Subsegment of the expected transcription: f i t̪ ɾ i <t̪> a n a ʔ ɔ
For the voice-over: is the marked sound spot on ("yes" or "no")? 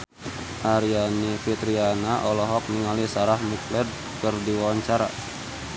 no